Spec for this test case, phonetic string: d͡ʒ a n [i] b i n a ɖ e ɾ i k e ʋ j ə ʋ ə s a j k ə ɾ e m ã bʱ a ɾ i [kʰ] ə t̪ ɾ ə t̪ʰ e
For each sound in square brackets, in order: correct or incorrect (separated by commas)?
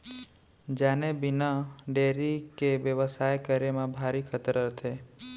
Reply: incorrect, correct